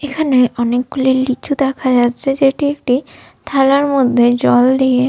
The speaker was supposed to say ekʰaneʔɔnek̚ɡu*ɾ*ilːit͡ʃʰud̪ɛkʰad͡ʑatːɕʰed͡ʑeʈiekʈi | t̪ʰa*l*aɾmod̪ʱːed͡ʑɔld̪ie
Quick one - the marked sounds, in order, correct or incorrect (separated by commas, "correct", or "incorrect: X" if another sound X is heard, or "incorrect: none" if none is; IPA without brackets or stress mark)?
incorrect: l, correct